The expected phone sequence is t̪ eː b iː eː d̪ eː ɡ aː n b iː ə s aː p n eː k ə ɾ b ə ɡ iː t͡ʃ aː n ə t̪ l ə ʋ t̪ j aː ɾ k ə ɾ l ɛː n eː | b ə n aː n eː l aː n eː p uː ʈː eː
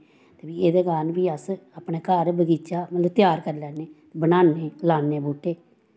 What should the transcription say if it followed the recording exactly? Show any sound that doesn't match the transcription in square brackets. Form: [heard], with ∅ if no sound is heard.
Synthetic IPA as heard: t̪ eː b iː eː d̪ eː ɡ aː n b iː ə s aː p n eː k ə ɾ b ə ɡ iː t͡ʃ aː [m] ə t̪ l ə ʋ t̪ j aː ɾ k ə ɾ l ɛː n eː | b ə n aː n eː l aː n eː [b] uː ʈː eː